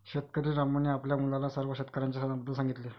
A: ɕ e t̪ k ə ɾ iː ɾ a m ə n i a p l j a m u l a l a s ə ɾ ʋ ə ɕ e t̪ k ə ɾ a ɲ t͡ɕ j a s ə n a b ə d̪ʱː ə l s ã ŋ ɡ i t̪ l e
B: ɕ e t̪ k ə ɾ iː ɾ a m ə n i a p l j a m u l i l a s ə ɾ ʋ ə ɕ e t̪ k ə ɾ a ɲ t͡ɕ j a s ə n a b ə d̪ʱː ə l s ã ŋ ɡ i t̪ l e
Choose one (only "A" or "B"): A